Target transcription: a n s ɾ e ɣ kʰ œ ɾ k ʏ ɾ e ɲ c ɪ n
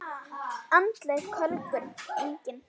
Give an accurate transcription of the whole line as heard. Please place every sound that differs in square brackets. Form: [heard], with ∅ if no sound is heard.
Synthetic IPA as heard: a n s [l] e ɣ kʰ œ [l] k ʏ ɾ e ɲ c ɪ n